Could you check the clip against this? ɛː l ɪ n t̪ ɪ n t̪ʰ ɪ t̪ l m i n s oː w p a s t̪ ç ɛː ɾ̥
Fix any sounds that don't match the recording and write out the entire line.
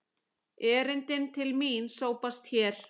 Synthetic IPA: ɛː ɾ ɪ n t̪ ɪ n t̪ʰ ɪ l m i n s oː w p a s t̪ ç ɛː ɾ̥